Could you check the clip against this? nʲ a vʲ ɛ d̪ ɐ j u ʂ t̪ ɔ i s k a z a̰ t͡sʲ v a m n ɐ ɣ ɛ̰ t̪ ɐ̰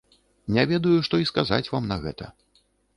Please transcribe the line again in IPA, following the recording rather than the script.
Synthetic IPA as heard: nʲ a vʲ ɛ d̪ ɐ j u ʂ t̪ ɔ i s k a z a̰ t͡sʲ v a m n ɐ ɣ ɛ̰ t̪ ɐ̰